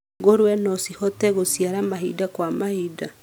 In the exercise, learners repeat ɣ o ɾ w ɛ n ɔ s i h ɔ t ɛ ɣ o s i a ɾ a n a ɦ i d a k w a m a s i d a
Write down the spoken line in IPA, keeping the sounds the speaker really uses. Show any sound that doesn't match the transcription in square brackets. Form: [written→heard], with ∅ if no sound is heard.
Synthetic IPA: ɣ o ɾ w ɛ n ɔ s i h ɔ t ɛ ɣ o s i a ɾ a [n→m] a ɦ i d a k w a m a [s→h] i d a